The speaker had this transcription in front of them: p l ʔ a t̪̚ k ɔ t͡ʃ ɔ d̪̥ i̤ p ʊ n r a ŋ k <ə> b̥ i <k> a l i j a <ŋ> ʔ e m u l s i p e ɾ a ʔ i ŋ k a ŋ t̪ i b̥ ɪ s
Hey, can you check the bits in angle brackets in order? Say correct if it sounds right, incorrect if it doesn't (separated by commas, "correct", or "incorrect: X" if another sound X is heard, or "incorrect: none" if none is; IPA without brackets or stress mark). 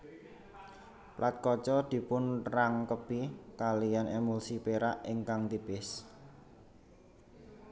correct, correct, incorrect: n